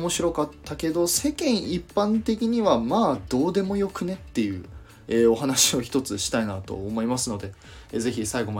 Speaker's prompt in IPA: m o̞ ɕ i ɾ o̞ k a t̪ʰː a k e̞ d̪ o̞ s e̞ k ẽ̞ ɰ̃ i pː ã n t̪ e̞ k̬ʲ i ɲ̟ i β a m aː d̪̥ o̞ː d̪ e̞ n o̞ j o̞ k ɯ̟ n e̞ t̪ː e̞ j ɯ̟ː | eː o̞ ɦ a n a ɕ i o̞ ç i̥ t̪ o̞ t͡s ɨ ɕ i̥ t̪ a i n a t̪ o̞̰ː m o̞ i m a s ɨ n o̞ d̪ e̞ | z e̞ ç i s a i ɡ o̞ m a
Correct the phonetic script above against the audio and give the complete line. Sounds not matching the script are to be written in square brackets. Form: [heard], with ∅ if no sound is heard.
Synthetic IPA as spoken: m o̞ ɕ i ɾ o̞ k a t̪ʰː a k e̞ d̪ o̞ s e̞ k ẽ̞ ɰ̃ i pː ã n t̪ e̞ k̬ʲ i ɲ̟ i β a m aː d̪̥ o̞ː d̪ e̞ [m] o̞ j o̞ k ɯ̟ n e̞ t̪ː e̞ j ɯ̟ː | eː o̞ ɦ a n a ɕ i o̞ ç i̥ t̪ o̞ t͡s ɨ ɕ i̥ t̪ a i n a t̪ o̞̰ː m o̞ i m a s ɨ n o̞ d̪ e̞ | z e̞ ç i s a i ɡ o̞ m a